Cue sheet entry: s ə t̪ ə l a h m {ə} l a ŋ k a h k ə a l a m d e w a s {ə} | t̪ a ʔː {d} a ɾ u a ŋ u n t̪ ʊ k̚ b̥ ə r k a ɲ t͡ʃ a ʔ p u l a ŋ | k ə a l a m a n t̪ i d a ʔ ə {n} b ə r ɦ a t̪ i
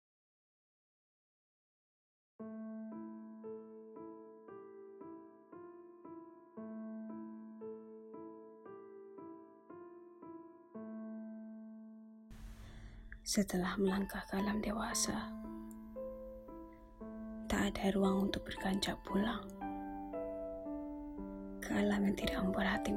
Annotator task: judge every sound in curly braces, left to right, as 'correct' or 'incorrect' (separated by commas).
correct, incorrect, correct, incorrect